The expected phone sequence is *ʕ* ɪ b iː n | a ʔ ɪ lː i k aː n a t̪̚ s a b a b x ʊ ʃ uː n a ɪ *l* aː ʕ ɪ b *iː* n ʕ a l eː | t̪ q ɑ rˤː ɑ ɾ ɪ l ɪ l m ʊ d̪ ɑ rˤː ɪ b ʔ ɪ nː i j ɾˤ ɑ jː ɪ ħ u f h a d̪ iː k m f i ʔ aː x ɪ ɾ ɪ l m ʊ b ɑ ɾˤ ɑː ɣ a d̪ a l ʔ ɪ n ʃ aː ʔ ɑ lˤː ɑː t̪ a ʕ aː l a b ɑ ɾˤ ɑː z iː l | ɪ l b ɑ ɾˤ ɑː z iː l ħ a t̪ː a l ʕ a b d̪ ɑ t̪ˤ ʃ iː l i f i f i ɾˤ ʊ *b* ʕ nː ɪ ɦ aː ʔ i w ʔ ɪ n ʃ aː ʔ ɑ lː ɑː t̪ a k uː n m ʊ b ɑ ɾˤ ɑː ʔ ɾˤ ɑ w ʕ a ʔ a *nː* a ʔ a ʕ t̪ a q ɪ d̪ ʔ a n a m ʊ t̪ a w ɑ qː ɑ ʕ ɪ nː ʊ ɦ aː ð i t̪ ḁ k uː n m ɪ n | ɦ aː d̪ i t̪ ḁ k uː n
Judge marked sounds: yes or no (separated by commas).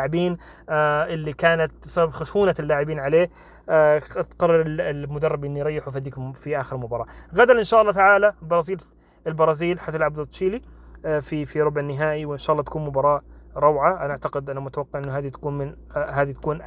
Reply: yes, no, yes, yes, no